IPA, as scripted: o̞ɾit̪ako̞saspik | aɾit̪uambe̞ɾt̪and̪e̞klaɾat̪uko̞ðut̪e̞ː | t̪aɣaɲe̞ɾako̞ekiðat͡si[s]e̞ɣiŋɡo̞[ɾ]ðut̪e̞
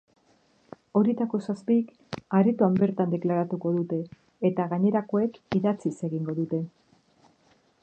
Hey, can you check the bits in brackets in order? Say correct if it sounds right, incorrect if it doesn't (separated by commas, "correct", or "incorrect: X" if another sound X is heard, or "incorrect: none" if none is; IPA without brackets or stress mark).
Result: correct, incorrect: none